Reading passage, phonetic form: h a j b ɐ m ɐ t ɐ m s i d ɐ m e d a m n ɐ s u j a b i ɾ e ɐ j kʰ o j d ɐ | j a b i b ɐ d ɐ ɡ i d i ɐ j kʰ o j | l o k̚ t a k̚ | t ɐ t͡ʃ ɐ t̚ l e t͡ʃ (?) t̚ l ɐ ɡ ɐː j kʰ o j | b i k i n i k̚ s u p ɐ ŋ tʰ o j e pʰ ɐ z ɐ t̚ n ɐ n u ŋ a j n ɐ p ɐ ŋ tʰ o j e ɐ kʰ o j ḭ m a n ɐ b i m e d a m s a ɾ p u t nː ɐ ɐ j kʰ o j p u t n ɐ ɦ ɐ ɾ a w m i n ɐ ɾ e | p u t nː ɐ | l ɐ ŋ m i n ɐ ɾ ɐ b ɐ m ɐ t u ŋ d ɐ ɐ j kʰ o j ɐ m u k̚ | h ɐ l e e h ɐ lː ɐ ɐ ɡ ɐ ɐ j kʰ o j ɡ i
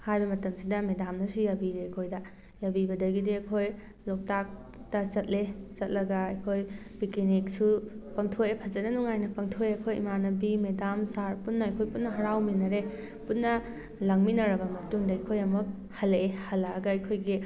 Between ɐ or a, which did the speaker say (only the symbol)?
ɐ